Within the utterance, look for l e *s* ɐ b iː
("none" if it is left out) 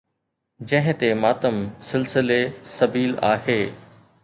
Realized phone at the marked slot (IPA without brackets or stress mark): s